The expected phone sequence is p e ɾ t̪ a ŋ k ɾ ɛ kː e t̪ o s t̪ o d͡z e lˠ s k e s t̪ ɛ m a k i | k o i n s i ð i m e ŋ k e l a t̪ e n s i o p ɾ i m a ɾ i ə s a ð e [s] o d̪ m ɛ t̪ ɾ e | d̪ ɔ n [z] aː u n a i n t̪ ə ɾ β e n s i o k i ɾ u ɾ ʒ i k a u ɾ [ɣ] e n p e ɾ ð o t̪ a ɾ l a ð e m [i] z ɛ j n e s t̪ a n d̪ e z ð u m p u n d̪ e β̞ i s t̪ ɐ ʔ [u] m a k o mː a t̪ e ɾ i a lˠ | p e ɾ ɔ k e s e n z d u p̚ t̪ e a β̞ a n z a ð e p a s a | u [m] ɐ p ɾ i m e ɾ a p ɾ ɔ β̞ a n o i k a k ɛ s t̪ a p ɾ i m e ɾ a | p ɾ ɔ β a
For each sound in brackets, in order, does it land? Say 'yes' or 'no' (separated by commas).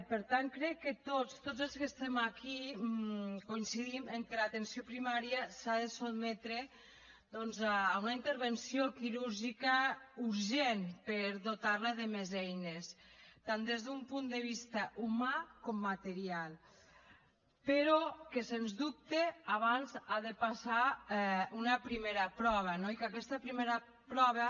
yes, yes, no, no, yes, no